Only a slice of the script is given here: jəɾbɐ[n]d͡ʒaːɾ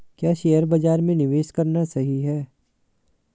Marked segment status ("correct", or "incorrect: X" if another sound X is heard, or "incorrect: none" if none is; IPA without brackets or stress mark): incorrect: none